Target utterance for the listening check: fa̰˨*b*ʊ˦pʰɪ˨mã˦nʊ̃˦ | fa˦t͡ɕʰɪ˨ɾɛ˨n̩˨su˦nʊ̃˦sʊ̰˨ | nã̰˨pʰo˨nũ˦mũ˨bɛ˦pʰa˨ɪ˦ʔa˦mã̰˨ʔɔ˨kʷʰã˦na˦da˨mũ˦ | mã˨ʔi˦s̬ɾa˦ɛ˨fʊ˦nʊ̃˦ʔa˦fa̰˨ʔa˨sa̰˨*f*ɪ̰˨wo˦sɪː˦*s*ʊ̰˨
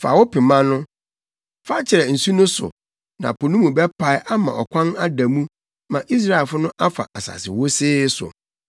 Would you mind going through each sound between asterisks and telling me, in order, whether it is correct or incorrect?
incorrect, incorrect, correct

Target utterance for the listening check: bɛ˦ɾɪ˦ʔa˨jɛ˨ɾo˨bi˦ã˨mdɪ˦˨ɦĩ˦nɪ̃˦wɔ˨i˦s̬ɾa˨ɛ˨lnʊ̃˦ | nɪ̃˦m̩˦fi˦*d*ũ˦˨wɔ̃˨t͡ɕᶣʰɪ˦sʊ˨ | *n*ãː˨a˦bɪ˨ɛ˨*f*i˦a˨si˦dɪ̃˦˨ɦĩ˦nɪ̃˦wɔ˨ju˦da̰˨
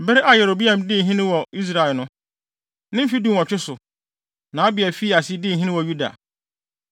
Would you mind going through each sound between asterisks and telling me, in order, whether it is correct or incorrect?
correct, correct, correct

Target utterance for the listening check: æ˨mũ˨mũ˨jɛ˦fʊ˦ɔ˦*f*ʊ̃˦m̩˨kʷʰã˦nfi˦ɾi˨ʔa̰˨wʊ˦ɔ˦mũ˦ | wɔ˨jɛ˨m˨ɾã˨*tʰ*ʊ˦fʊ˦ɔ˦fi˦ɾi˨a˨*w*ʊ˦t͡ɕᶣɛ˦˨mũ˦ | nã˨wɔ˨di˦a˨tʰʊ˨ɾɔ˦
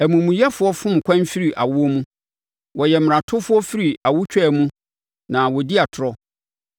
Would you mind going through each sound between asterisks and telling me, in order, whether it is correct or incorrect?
correct, correct, correct

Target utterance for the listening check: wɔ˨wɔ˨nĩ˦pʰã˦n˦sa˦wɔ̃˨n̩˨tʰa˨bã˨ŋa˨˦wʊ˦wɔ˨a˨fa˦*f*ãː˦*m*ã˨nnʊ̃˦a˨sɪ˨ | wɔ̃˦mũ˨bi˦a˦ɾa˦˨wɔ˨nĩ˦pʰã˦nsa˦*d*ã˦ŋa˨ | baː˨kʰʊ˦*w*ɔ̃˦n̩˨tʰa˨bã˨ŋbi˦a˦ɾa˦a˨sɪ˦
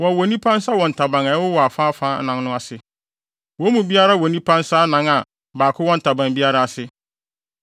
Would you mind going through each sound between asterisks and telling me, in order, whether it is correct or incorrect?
correct, incorrect, incorrect, correct

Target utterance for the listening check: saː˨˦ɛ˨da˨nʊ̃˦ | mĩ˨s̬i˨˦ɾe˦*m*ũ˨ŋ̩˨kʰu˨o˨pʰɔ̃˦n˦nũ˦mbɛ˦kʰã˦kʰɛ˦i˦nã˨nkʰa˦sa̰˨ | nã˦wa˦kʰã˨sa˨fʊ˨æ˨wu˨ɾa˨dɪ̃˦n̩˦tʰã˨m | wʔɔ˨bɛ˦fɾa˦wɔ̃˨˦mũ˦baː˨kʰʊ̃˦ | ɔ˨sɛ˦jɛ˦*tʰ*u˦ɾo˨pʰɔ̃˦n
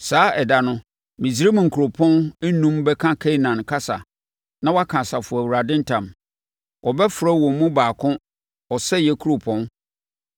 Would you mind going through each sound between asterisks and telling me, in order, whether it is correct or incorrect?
correct, incorrect

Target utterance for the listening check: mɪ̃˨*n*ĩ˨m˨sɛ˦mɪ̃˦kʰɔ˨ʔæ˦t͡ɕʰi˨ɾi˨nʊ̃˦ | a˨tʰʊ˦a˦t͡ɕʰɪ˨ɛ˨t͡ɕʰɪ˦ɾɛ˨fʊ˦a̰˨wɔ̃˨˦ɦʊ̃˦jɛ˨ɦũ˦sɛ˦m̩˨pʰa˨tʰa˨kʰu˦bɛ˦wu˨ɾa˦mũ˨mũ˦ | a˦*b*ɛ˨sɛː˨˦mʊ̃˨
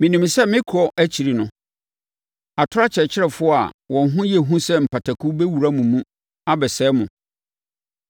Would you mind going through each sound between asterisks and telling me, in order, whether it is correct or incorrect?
correct, correct

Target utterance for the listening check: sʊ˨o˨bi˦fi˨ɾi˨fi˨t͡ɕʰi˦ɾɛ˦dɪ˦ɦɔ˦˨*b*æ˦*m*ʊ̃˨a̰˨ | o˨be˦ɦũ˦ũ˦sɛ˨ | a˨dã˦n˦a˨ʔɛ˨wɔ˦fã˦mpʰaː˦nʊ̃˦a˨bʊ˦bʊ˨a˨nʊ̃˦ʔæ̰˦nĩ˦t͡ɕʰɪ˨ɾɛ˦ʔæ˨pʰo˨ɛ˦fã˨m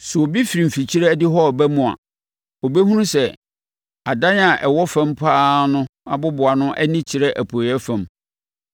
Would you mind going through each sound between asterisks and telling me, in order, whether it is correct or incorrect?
correct, correct

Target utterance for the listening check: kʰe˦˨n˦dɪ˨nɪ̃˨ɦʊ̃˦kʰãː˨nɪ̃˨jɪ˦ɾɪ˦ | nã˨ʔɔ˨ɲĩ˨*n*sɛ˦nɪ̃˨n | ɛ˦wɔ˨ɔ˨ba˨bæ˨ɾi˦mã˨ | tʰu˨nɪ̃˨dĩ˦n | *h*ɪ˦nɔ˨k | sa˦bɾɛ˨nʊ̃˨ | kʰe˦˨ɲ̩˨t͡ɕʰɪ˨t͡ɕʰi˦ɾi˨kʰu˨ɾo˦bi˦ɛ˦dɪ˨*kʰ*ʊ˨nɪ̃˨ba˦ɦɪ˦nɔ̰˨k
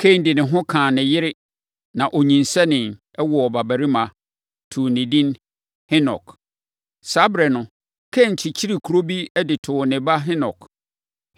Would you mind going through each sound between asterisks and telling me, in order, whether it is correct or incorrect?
correct, correct, incorrect

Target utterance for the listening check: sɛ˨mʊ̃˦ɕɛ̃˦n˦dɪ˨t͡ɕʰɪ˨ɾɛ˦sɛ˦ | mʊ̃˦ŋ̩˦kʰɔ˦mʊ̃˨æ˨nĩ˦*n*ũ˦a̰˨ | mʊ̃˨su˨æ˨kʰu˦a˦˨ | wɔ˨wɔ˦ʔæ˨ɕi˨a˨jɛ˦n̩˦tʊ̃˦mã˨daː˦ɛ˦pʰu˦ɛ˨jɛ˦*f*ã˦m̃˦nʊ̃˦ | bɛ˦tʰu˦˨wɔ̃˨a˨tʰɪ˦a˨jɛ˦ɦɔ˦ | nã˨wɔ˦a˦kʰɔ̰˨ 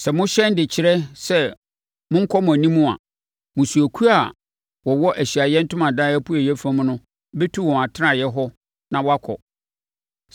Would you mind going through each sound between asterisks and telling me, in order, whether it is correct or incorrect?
incorrect, correct

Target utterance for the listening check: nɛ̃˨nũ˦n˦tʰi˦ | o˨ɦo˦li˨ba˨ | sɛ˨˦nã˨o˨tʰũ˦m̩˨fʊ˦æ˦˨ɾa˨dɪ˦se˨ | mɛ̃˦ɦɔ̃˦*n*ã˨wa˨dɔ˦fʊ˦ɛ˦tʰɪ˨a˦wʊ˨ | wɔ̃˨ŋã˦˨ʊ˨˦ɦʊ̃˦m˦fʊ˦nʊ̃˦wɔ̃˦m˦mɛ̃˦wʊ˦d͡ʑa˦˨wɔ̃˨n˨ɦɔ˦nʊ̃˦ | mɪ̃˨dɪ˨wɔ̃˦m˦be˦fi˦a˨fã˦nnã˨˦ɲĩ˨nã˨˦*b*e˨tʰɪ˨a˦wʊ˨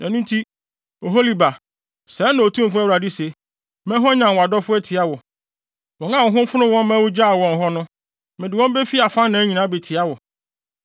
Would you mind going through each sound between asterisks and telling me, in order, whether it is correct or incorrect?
incorrect, correct

